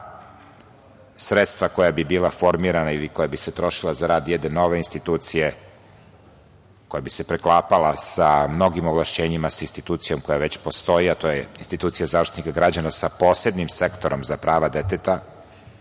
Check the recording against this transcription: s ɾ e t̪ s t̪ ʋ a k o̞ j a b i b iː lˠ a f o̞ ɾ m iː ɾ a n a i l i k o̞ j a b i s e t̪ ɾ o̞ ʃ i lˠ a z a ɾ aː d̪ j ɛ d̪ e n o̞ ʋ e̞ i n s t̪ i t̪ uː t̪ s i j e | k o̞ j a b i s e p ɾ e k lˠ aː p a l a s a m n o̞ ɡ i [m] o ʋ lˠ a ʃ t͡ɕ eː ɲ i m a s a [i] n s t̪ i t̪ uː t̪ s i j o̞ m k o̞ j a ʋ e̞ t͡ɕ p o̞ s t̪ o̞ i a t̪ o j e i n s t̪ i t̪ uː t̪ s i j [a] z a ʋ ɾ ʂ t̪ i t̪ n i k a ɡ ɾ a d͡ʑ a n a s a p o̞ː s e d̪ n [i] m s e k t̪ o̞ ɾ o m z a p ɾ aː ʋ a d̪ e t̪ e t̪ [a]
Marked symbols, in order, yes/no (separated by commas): yes, yes, yes, yes, yes